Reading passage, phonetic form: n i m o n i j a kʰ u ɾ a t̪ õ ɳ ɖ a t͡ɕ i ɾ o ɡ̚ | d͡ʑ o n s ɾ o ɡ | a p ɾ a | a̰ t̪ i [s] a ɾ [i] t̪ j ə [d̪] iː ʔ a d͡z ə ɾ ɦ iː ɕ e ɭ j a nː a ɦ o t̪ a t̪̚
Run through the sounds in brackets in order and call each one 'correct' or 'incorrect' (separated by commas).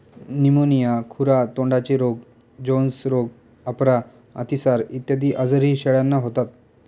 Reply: correct, correct, correct